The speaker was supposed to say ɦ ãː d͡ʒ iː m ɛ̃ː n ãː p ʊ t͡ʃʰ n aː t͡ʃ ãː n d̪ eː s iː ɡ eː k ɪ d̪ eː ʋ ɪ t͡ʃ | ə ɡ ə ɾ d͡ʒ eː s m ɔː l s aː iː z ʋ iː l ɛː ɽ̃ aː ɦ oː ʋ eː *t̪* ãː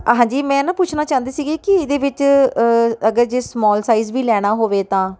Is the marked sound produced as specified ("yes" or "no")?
yes